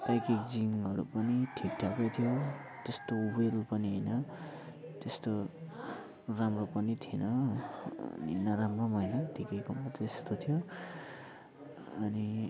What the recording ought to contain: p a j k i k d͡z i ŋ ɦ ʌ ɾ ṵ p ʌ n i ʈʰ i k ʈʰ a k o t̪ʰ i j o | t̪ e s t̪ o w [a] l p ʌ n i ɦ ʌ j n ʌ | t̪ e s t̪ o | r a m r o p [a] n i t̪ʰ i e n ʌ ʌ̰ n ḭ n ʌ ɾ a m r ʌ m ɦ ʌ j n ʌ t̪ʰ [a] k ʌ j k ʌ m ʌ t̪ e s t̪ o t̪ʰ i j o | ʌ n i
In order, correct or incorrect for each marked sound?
incorrect, incorrect, incorrect

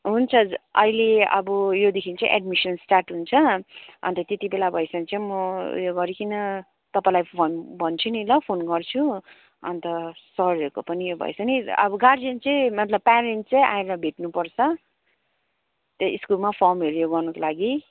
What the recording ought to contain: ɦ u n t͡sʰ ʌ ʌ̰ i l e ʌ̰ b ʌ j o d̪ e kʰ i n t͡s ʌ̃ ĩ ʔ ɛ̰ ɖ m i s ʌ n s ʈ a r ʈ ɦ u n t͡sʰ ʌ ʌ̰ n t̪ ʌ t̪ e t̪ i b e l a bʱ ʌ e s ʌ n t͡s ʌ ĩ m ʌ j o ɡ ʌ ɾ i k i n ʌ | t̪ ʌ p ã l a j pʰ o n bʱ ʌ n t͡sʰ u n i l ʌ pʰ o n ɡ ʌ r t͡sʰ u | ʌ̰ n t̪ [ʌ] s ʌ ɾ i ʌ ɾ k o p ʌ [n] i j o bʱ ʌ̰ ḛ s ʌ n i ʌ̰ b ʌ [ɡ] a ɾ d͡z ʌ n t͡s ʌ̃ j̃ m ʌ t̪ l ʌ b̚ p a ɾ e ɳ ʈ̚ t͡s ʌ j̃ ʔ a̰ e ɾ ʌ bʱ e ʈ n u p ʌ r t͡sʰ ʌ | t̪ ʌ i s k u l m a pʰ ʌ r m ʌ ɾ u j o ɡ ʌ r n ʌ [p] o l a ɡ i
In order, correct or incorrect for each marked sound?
correct, correct, correct, incorrect

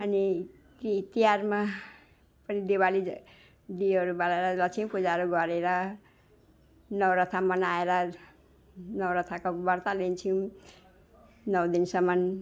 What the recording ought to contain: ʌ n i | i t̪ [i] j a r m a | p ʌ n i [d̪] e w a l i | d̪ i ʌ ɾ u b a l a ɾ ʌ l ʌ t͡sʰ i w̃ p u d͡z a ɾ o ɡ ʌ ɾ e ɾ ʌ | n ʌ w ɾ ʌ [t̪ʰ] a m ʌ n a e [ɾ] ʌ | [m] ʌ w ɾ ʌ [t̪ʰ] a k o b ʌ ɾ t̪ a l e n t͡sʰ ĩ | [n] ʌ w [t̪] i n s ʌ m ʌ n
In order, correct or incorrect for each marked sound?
correct, correct, correct, correct, incorrect, correct, correct, incorrect

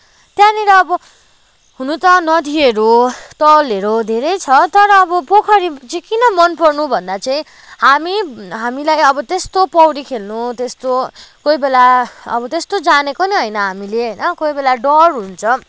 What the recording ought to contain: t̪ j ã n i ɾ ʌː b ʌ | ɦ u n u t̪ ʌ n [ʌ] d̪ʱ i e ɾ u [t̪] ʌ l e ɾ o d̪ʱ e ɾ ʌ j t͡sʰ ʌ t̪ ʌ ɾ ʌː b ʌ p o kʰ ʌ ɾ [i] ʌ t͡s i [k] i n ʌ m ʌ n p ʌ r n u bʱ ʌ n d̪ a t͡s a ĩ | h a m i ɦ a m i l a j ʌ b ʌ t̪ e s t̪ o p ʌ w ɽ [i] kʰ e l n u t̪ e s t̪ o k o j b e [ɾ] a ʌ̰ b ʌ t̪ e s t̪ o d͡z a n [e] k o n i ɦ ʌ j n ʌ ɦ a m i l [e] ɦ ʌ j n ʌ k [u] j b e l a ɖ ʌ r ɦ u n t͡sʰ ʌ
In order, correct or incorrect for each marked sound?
correct, correct, correct, correct, correct, incorrect, correct, correct, incorrect

